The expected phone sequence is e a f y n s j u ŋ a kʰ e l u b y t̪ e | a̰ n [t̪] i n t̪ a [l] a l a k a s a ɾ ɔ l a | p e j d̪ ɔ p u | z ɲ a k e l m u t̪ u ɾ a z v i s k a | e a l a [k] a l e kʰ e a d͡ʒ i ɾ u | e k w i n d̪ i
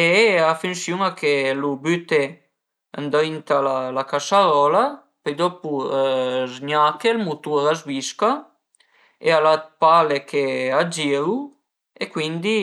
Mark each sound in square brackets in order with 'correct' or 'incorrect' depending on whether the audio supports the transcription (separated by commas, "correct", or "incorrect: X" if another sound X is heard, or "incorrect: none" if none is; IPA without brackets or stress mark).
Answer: incorrect: d̪, correct, incorrect: p